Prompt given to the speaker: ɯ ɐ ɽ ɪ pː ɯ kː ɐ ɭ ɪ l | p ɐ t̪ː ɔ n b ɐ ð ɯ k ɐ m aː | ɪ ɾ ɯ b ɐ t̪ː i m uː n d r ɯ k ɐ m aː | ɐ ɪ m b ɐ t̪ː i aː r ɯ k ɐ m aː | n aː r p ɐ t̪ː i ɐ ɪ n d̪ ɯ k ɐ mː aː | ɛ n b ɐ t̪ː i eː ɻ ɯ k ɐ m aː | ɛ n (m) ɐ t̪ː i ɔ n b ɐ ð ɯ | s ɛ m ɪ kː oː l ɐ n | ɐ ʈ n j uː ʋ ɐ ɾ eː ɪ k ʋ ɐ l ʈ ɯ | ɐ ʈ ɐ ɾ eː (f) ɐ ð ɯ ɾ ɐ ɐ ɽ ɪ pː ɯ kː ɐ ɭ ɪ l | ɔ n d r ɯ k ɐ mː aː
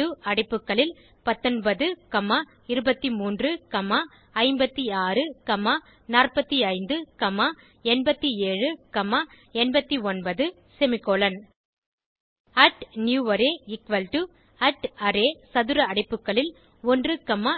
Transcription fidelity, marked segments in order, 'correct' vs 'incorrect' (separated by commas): incorrect, incorrect